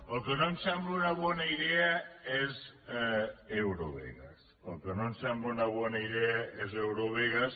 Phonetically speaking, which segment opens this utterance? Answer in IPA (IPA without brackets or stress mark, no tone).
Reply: ə